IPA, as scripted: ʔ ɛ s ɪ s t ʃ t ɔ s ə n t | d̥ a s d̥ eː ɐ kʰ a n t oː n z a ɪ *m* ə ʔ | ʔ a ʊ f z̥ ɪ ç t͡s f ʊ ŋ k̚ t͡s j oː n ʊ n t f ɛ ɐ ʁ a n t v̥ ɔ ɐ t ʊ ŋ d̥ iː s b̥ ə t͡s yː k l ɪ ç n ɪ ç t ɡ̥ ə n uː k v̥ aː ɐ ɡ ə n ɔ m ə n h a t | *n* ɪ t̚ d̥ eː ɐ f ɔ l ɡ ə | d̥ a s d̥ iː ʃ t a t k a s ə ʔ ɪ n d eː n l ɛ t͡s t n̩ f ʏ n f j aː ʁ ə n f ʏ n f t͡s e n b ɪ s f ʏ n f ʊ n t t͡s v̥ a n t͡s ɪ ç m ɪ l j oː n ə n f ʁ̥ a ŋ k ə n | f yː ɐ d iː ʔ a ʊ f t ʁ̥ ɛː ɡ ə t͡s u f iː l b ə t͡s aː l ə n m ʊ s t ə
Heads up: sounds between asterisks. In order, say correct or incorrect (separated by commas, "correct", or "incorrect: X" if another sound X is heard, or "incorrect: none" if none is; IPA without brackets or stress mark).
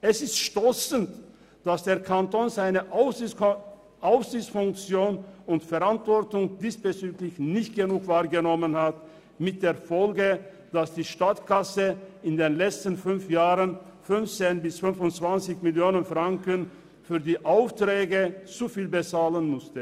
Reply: incorrect: n, incorrect: m